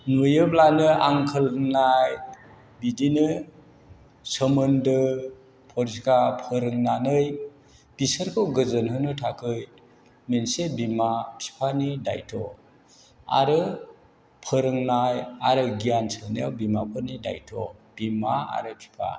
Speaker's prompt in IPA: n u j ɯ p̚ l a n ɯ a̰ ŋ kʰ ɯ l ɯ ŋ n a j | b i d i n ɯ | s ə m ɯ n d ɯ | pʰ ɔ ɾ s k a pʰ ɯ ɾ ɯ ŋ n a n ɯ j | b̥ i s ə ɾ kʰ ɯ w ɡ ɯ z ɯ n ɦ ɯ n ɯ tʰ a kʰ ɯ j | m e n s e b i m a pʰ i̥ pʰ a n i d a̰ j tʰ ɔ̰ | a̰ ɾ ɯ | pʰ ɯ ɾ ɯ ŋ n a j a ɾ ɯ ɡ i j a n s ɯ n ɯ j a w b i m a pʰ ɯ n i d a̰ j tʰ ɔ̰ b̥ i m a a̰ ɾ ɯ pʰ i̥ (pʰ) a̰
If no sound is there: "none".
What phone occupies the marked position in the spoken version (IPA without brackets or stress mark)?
pʰ